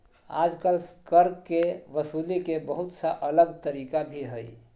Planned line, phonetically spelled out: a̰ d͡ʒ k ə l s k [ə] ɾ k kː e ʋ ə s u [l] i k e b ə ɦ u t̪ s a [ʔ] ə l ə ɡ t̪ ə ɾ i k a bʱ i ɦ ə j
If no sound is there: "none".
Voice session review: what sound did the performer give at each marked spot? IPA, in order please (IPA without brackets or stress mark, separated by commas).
ə, l, ʔ